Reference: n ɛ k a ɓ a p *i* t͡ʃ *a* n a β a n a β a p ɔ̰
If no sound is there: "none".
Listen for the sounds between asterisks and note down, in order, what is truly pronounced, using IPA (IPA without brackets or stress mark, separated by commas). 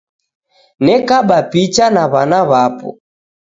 i, a